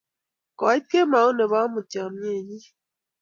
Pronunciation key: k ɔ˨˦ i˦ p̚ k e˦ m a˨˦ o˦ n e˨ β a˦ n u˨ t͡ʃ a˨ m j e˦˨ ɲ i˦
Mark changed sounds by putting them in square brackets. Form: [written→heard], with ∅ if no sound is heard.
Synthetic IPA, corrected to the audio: k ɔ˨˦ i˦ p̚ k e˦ m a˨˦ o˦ n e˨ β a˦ [n→m] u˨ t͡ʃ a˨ m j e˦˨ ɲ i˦